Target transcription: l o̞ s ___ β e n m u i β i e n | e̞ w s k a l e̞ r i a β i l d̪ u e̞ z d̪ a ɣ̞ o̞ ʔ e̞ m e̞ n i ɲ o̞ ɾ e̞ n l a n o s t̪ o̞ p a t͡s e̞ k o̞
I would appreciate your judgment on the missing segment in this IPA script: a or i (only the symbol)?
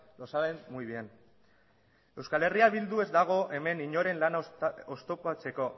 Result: a